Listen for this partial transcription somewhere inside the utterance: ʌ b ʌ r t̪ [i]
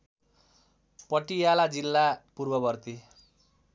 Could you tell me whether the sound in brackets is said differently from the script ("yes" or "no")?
no